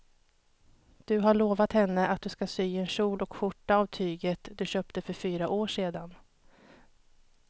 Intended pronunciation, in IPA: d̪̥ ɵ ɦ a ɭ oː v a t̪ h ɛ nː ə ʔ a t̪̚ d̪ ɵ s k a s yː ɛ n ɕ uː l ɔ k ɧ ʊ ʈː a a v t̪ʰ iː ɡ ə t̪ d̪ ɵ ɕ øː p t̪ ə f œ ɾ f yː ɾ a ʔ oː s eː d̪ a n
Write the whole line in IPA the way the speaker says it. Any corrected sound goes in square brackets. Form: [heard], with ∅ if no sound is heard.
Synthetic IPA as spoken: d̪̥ ɵ ɦ a ɭ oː v a t̪ h ɛ nː ə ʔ a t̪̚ d̪ ɵ s k a s yː ɛ n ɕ uː l ɔ k ɧ ʊ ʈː a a v t̪ʰ [yː] ɡ ə t̪ d̪ ɵ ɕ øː p t̪ ə f œ ɾ f yː ɾ a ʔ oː [ʂ] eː d̪ a n